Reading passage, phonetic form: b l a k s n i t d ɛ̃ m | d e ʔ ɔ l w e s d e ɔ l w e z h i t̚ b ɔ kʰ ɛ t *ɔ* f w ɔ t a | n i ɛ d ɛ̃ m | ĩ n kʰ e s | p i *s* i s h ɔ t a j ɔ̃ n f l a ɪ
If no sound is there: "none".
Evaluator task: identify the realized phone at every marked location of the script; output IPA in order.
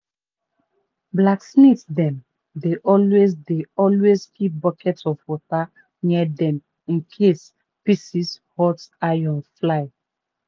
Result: ɔ, s

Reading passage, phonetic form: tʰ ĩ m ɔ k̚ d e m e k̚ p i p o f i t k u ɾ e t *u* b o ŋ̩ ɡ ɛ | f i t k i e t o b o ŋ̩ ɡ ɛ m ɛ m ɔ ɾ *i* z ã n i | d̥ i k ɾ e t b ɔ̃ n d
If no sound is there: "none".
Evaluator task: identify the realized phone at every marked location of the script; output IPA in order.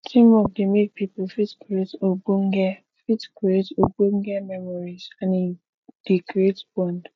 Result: o, i

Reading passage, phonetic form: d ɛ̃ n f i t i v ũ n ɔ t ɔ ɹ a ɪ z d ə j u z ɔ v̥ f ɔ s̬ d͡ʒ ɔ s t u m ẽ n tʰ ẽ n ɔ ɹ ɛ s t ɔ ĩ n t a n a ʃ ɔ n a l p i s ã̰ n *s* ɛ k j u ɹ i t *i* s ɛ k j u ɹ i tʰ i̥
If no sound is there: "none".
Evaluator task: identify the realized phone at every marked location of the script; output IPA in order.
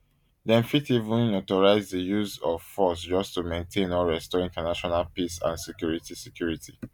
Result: s, i

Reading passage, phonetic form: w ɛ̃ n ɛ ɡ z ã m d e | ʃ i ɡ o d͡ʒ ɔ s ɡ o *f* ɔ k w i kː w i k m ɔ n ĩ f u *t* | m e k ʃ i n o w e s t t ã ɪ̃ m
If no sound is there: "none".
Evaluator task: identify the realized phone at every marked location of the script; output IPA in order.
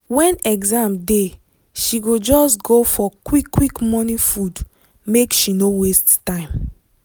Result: f, d

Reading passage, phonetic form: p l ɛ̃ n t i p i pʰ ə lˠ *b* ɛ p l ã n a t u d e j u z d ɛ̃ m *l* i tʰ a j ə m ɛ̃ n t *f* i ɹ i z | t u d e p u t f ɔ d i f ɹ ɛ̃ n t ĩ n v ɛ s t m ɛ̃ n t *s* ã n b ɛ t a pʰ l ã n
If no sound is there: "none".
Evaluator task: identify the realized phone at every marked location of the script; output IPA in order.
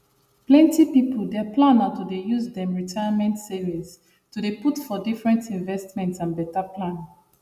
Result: d, ɹ, s, s

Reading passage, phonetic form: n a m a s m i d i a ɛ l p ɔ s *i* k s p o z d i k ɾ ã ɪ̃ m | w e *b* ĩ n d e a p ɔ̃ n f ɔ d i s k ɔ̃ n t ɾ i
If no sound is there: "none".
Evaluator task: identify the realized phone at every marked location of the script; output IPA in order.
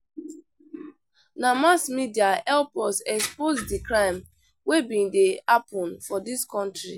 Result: ɛ, b

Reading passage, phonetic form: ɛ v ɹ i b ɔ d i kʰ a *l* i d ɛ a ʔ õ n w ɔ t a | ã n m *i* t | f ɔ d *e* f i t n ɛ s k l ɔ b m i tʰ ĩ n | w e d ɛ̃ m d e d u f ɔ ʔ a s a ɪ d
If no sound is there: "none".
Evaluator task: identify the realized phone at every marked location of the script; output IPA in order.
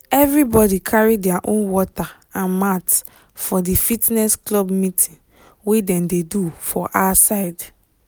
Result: ɹ, a, i

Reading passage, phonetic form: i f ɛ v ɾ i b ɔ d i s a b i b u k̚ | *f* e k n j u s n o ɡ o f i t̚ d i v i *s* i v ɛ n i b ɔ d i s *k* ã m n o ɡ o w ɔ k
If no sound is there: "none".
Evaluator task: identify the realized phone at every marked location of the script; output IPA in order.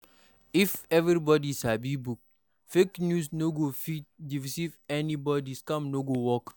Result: f, s, k

